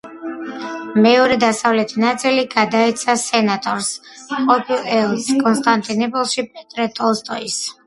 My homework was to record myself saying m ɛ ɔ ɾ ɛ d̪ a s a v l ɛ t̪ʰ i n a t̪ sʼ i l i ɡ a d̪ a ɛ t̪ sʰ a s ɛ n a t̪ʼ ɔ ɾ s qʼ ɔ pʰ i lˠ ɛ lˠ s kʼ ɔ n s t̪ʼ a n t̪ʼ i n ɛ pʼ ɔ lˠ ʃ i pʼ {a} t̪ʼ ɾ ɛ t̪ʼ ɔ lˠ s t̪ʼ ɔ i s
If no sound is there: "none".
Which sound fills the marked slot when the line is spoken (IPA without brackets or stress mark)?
ɛ